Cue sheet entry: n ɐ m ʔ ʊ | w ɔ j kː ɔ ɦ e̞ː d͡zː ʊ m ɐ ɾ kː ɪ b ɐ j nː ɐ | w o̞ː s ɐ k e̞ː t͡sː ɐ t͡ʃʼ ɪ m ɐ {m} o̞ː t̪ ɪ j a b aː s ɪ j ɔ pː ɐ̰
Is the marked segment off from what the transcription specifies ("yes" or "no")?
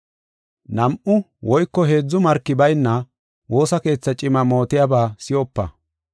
no